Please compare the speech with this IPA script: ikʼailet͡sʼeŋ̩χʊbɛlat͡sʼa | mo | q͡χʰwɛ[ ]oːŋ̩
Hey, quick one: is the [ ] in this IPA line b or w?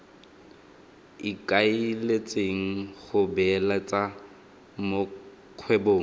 b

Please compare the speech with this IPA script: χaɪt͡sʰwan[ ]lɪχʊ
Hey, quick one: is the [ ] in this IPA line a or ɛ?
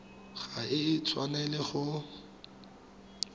ɛ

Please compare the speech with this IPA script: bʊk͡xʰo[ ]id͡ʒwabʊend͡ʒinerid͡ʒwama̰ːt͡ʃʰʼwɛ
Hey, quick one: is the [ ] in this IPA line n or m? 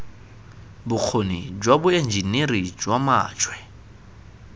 n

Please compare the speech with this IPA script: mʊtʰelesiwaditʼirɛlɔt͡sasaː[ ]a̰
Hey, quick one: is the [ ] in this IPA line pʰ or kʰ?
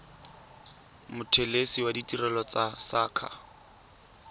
kʰ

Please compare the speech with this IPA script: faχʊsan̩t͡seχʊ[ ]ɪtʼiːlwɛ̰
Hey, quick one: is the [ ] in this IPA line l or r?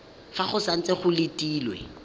l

